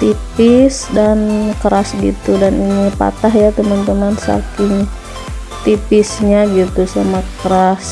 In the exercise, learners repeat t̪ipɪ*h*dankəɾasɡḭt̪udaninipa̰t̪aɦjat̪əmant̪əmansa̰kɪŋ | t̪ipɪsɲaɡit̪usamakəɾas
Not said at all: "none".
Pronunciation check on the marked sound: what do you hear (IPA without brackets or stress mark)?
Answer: s